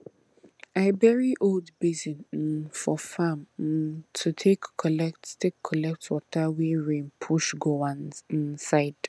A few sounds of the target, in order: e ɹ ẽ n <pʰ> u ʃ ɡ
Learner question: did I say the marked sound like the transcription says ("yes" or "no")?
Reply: yes